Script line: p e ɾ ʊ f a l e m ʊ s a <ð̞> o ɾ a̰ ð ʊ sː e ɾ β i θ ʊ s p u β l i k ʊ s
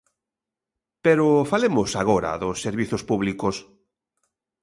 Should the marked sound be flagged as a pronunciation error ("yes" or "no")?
yes